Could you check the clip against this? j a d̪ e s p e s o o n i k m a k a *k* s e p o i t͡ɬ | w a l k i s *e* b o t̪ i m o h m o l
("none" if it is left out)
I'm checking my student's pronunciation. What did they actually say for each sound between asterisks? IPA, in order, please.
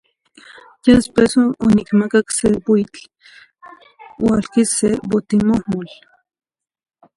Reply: k, e

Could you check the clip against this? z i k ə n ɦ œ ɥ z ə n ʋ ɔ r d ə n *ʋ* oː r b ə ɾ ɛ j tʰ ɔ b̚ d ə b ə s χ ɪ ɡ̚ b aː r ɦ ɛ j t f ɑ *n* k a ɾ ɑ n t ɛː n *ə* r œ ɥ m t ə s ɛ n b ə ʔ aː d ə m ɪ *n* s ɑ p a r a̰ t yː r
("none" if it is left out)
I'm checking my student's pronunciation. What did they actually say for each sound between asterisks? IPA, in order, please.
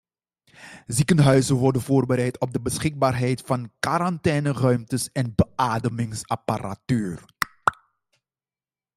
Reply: v, n, ə, ŋ

